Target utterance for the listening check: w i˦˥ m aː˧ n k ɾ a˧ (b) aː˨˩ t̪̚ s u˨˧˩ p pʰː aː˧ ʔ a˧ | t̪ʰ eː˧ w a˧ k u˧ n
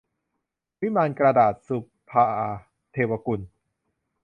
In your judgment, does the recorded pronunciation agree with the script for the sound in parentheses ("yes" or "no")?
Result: no